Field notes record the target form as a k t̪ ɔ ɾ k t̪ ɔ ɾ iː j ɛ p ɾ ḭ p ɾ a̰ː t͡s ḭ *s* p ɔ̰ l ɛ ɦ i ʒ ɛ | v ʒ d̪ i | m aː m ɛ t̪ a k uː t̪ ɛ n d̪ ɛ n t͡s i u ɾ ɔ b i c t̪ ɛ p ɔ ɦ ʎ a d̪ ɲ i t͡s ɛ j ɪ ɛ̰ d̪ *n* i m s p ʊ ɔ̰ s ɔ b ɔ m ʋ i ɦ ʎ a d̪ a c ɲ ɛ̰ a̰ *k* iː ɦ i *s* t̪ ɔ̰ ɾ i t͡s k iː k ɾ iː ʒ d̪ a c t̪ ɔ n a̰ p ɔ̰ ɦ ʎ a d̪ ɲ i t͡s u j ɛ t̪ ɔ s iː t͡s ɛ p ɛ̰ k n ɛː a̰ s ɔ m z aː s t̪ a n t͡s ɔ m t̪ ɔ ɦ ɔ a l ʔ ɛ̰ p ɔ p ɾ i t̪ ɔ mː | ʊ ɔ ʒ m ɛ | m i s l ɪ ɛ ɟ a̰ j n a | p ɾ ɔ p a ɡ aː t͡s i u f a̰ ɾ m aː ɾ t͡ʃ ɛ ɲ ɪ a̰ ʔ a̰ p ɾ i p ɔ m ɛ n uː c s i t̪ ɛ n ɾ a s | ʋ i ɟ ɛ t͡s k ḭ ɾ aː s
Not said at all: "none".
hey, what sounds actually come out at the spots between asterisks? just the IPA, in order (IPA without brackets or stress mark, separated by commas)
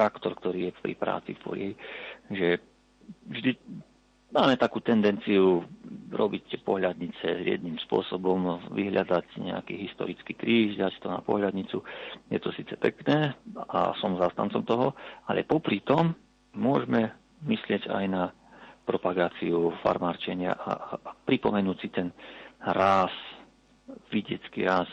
f, n, k, s